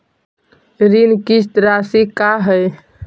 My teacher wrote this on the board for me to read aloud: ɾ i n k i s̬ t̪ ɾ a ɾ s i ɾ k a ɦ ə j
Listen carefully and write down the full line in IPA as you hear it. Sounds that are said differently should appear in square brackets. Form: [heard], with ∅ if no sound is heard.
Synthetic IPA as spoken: ɾ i n k i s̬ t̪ ɾ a [∅] s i [∅] k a ɦ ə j